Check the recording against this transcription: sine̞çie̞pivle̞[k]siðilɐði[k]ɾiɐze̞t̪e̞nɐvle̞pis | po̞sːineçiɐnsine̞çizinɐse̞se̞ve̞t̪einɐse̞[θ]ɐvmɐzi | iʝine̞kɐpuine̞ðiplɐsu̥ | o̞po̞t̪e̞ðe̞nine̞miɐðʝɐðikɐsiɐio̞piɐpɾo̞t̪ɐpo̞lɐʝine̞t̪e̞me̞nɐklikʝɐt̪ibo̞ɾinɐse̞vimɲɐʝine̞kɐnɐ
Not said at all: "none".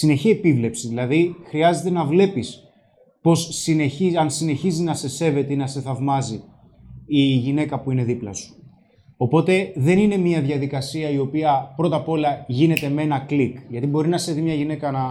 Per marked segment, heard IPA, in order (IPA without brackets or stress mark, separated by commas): p, x, θ